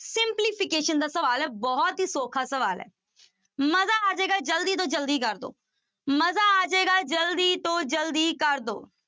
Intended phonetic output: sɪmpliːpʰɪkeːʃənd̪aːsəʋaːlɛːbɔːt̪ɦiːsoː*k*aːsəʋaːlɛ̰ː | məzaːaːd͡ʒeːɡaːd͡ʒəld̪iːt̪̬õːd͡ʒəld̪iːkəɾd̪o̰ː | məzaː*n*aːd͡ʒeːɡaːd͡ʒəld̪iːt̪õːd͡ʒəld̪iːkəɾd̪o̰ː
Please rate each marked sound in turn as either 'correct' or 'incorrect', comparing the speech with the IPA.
incorrect, incorrect

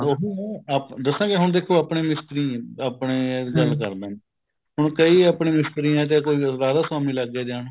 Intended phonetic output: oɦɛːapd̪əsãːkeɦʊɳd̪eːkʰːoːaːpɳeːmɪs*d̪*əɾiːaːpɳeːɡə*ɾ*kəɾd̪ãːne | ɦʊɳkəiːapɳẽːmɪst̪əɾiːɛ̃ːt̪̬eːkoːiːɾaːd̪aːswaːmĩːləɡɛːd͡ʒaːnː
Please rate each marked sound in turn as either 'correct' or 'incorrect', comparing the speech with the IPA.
incorrect, incorrect

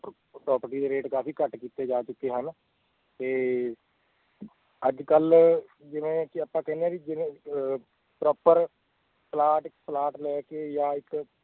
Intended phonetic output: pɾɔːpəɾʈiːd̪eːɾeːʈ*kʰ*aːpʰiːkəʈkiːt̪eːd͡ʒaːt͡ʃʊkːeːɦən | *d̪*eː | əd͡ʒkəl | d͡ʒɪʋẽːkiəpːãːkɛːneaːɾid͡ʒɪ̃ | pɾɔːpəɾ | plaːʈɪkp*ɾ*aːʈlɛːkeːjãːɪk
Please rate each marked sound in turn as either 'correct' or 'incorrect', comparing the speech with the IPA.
incorrect, incorrect, incorrect

